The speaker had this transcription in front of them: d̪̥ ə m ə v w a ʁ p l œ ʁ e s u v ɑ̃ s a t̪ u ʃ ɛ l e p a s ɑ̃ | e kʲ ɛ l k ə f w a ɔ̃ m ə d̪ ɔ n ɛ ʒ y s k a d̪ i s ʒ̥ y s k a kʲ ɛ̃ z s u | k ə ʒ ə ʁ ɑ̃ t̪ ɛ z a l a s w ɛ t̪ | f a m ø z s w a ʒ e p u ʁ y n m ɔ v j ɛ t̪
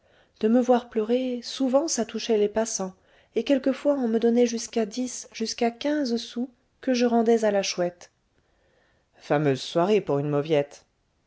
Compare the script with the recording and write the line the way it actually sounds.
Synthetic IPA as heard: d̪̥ ə m ə v w a ʁ p l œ ʁ e s u v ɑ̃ s a t̪ u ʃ ɛ l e p a s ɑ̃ | e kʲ ɛ l k ə f w a ɔ̃ m ə d̪ ɔ n ɛ ʒ y s k a d̪ i s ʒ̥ y s k a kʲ ɛ̃ z s u | k ə ʒ ə ʁ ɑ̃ d̪ ɛ z a l a ʃ w ɛ t̪ | f a m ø z s w a ʁ e p u ʁ y n m ɔ v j ɛ t̪